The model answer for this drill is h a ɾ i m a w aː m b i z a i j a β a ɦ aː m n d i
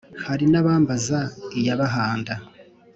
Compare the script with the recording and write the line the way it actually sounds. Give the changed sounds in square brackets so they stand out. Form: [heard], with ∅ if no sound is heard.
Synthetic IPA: h a ɾ i [n] a [β] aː m b [a] z a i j a β a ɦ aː [∅] n d [a]

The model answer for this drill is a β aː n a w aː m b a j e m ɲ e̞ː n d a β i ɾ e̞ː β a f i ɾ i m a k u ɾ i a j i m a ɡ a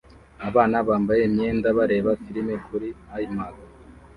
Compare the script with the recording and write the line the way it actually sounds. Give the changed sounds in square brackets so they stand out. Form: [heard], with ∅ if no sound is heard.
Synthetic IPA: a β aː n a [β] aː m b a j e m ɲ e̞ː n d a β [a] ɾ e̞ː β a f i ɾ i m [e] k u ɾ i a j i m a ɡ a

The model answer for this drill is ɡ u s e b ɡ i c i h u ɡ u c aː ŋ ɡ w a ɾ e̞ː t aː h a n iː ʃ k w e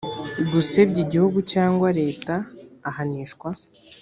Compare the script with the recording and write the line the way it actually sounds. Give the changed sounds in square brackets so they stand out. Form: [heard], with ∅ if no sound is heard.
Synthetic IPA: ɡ u s e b [ɟ] i [ɟ] i h u ɡ u c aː ŋ ɡ w a ɾ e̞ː t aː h a n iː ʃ k w [a]

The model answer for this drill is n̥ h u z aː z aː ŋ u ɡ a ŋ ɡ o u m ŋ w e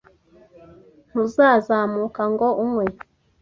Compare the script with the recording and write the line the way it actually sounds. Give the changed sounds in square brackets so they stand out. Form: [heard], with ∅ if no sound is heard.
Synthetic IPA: n̥ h u z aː z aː [m] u [k] a ŋ ɡ o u m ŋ w e

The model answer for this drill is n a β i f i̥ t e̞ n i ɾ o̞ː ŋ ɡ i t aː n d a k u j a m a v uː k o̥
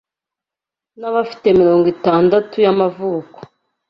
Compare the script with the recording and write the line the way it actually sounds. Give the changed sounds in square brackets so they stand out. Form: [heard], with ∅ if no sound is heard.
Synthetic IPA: n a β [a] f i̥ t e̞ [m] i ɾ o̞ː ŋ ɡ i t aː n d a [t] u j a m a v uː k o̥

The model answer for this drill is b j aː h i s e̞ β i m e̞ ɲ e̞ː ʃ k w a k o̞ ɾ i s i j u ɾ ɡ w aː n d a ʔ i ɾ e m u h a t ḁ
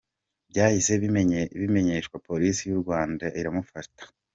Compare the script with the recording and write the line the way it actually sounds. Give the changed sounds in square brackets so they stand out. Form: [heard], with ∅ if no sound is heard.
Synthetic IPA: b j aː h i s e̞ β i m e̞ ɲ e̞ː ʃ k w a [p] o̞ ɾ i s i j u ɾ ɡ w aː n d a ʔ i ɾ [a] m u [f] a t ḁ

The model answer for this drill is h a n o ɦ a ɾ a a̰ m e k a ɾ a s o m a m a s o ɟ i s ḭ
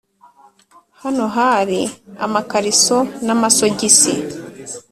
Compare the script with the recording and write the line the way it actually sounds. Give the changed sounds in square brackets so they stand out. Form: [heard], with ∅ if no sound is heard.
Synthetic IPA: h a n o ɦ a ɾ [i] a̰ m [a] k a ɾ [i] s o [n] a m a s o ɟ i s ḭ

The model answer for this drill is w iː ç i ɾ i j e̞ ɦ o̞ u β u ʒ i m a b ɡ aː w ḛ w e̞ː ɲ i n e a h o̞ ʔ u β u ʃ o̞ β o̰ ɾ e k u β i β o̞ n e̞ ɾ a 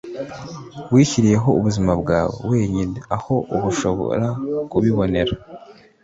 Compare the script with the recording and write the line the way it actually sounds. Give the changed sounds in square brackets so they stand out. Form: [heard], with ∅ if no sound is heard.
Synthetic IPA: w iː ç i ɾ i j e̞ ɦ o̞ u β u [z] i m a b ɡ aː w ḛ w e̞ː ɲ i n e a h o̞ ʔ u β u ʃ o̞ β o̰ ɾ [a] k u β i β o̞ n e̞ ɾ a

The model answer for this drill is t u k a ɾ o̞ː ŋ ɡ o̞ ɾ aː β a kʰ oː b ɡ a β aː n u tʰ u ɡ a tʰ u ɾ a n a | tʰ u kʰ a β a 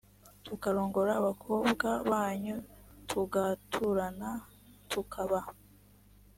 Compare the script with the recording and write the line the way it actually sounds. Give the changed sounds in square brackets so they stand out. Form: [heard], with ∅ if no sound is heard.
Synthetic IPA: t u k a ɾ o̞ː ŋ ɡ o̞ ɾ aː β a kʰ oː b ɡ a β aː [ɲ] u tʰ u ɡ a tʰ u ɾ a n a | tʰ u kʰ a β a

